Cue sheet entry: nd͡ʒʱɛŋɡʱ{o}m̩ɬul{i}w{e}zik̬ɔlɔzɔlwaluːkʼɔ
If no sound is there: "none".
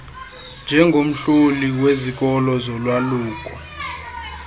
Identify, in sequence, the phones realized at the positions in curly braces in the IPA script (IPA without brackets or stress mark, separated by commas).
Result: o, i, e